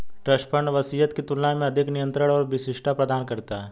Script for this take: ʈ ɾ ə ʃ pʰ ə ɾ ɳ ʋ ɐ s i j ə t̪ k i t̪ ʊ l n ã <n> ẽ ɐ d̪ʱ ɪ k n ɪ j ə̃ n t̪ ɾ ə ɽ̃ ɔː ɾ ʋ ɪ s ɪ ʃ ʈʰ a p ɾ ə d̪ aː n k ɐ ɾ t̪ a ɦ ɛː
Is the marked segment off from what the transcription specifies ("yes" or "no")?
yes